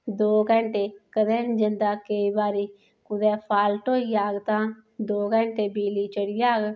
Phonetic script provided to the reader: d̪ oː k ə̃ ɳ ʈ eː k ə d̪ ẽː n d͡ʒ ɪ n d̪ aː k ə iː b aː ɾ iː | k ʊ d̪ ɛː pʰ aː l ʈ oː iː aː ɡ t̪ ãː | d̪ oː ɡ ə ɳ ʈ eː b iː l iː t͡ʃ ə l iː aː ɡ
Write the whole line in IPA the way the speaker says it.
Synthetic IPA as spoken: d̪ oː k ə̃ ɳ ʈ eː k ə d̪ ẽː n d͡ʒ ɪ n d̪ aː k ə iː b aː ɾ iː | k ʊ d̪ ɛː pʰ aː l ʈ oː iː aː ɡ t̪ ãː | d̪ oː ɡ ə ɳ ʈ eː b iː l iː t͡ʃ ə ɽ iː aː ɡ